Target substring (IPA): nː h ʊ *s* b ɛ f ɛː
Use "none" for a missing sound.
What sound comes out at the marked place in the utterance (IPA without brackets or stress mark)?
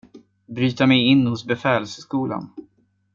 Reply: s